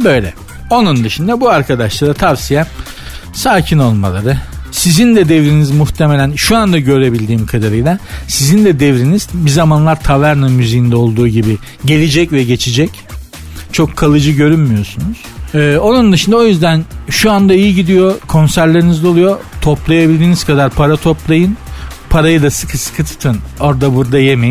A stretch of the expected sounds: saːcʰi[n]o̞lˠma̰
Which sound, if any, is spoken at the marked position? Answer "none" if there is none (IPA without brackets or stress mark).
n